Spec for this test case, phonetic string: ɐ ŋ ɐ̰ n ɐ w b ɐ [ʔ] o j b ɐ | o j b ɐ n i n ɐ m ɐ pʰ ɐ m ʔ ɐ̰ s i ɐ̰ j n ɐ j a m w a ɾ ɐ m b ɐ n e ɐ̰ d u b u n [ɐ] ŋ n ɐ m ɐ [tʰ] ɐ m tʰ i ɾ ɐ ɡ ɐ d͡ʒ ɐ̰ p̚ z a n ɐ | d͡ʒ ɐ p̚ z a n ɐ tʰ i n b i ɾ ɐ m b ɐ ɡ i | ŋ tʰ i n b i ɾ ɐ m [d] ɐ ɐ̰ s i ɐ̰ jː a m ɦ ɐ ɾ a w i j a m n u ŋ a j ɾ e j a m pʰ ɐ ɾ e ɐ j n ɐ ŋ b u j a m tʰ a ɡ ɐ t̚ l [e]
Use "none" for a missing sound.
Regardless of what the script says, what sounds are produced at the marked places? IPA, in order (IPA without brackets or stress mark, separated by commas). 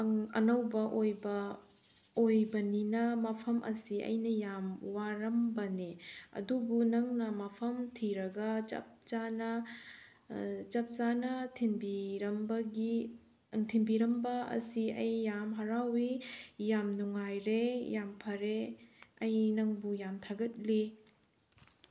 ʔ, ɐ, pʰ, b, i